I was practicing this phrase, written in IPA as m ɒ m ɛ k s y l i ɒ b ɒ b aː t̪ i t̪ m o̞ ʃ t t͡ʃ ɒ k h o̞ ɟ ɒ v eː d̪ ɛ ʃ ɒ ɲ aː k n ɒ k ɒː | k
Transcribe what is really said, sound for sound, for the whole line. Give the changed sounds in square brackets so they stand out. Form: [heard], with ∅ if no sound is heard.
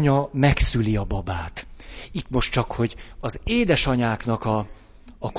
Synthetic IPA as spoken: [ɲ] ɒ m ɛ k s y l i ɒ b ɒ b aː t̪ i t̪ m o̞ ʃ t t͡ʃ ɒ k h o̞ ɟ ɒ [z] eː d̪ ɛ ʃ ɒ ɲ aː k n ɒ k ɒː | k